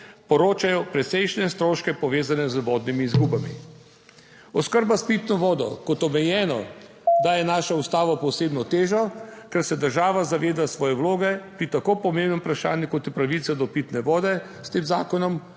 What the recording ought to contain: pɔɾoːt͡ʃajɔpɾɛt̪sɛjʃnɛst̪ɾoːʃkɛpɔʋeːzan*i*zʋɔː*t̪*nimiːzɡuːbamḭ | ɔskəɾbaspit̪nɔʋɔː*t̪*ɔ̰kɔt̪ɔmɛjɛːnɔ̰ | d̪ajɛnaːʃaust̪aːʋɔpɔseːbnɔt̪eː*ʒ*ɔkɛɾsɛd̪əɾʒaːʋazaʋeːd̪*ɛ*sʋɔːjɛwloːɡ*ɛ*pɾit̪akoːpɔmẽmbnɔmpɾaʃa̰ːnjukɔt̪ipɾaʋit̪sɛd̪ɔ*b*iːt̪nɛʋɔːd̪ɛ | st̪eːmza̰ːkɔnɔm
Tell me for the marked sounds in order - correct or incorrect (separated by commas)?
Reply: incorrect, incorrect, incorrect, correct, incorrect, correct, incorrect